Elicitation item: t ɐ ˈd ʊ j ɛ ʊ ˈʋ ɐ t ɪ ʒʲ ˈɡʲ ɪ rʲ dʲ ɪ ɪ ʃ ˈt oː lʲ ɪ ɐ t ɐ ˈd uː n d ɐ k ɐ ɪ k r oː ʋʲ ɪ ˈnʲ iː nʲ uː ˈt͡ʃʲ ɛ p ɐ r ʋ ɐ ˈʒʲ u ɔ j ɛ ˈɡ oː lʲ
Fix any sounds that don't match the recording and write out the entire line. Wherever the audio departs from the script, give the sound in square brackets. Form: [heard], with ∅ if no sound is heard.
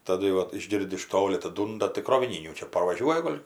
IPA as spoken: t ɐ ˈd ʊ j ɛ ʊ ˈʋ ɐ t ɪ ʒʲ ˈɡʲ ɪ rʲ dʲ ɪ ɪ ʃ ˈt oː lʲ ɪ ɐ t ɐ ˈd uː n d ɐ [t] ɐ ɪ k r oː ʋʲ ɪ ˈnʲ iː nʲ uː ˈt͡ʃʲ ɛ p ɐ r ʋ ɐ ˈʒʲ u ɔ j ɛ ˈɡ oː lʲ